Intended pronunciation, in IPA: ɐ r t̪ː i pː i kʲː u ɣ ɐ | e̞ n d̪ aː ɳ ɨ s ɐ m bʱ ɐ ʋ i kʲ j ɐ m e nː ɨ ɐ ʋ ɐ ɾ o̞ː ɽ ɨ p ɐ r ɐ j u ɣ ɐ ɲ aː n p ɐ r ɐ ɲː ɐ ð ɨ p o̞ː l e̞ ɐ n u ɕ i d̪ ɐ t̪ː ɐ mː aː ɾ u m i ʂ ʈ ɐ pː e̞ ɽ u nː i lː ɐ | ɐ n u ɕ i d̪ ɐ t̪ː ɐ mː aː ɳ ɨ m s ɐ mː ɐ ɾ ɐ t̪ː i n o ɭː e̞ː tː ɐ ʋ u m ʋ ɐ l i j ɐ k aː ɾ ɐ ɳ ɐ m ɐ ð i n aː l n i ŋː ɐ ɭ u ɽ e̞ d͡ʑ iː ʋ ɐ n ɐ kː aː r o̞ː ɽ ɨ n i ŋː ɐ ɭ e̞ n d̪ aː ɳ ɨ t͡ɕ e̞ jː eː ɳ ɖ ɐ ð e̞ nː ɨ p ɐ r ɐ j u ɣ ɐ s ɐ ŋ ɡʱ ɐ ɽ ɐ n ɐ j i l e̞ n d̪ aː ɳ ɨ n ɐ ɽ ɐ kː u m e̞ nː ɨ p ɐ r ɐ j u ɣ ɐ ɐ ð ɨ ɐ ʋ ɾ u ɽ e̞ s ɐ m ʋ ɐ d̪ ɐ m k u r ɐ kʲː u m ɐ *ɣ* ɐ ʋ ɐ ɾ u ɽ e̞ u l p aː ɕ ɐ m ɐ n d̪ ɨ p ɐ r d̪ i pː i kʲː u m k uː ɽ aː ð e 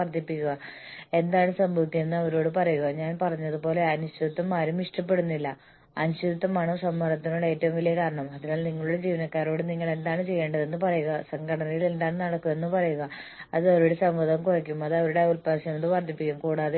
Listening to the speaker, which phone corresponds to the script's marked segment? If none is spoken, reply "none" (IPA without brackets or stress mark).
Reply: ð